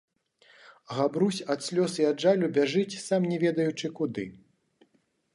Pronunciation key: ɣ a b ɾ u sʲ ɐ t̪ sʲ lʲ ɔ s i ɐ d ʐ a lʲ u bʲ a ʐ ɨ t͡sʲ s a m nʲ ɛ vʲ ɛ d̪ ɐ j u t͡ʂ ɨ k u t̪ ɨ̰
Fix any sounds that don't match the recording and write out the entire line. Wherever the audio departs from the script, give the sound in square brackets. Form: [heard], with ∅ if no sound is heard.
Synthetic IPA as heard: ɣ a b ɾ u sʲ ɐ t̪ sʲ lʲ ɔ s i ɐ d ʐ a lʲ u bʲ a ʐ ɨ t͡sʲ s a m nʲ ɛ vʲ ɛ d̪ ɐ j u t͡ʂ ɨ k u [d̪] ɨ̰